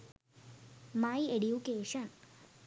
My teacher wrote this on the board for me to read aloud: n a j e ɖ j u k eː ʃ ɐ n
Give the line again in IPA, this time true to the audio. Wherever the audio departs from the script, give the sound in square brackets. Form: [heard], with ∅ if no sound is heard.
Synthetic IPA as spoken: [m] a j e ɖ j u k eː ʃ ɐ n